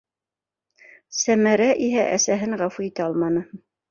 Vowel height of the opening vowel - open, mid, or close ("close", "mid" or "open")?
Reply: open